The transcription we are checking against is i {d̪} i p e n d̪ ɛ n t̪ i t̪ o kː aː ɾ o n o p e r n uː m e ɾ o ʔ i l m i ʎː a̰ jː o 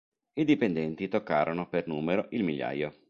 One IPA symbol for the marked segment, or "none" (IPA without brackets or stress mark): d̪